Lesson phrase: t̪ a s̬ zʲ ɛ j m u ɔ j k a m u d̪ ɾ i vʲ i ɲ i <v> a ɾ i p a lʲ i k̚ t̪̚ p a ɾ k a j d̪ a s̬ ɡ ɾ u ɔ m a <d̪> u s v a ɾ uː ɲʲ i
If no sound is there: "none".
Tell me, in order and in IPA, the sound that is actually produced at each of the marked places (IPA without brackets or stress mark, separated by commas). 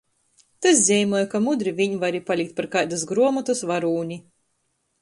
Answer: v, t̪